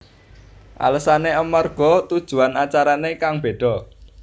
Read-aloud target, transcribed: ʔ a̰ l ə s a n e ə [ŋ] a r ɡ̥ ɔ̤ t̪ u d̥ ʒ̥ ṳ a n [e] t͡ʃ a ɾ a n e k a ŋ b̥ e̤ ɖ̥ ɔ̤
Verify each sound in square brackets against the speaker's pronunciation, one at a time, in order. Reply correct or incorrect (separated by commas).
incorrect, incorrect